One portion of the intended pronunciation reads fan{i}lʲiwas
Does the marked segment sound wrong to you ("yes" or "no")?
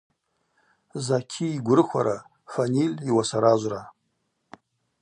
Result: no